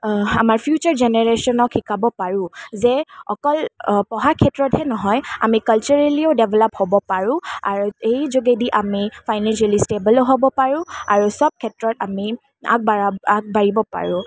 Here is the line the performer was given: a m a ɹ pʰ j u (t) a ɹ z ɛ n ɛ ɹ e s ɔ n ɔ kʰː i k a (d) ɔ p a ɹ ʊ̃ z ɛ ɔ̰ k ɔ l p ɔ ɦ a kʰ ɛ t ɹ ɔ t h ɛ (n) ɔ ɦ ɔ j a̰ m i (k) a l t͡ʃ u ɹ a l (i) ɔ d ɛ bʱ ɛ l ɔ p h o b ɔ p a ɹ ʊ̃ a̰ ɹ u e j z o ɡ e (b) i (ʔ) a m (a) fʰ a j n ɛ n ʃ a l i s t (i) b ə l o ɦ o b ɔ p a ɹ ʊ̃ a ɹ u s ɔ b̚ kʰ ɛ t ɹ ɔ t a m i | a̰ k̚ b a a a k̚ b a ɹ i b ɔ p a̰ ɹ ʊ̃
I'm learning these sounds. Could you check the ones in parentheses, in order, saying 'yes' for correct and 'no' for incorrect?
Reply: no, no, yes, yes, yes, no, yes, no, no

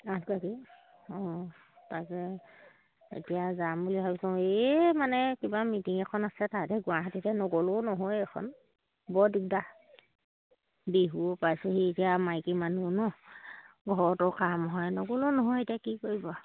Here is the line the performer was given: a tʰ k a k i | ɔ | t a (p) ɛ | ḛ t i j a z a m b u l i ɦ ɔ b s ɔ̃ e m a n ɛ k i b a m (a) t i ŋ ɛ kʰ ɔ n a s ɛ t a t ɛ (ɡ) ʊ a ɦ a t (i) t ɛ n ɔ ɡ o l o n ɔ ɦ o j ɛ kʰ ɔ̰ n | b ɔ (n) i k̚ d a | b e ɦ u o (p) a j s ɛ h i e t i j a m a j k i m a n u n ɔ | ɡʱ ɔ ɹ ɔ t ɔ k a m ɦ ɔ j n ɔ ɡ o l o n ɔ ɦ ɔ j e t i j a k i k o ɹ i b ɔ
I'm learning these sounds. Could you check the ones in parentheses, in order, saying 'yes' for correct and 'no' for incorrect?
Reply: no, no, yes, yes, no, yes

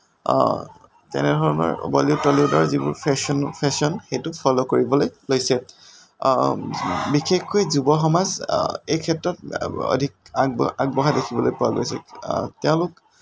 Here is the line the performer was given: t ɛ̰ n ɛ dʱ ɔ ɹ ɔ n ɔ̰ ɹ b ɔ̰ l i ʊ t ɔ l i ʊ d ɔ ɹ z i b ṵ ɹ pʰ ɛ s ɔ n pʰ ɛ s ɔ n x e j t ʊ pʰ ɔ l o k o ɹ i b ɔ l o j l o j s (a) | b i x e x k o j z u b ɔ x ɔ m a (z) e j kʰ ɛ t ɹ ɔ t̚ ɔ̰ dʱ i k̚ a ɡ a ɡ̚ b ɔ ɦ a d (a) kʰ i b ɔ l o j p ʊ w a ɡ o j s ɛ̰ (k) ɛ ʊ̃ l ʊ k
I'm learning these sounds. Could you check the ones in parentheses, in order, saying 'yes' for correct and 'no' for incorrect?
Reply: no, yes, no, no

